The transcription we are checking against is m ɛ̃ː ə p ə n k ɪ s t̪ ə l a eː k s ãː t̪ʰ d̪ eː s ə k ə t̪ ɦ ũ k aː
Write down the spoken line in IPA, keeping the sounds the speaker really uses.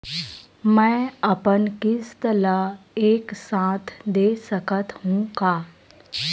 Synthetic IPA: m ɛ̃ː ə p ə n k ɪ s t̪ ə l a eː k s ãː t̪ʰ d̪ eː s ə k ə t̪ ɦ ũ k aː